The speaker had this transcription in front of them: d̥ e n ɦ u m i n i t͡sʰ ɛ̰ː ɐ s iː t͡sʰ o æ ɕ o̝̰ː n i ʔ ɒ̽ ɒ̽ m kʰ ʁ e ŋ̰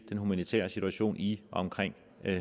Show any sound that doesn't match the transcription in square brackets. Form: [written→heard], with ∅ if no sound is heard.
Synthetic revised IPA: d̥ e n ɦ u m [i→æ] n i t͡sʰ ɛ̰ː ɐ s [iː→i] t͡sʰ [o→u] æ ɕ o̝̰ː n i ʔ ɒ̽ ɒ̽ m kʰ ʁ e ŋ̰